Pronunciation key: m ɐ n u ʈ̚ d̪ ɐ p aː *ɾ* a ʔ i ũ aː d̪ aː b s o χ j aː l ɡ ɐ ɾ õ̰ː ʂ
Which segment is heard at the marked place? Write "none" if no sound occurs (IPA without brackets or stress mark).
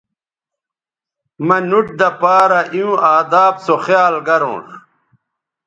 ɾ